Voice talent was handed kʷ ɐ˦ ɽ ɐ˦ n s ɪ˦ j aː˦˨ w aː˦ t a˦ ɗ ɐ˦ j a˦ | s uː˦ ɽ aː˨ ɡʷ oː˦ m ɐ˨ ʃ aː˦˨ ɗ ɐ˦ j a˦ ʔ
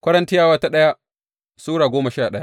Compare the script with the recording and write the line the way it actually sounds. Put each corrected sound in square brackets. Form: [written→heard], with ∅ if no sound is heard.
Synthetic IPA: kʷ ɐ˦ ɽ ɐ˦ n [s→t] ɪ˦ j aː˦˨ w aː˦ t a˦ ɗ ɐ˦ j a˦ | s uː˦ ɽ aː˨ ɡʷ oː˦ m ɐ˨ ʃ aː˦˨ ɗ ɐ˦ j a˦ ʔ